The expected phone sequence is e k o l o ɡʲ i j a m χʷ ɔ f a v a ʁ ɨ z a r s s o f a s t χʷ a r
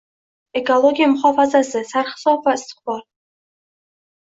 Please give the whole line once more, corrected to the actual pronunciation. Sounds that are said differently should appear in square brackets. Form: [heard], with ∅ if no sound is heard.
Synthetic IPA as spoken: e k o l o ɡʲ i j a m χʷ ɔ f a [z] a [z] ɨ [s] a r [χ] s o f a s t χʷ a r